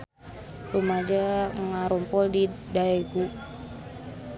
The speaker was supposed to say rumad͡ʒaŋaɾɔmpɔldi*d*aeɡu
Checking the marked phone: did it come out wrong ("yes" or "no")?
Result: no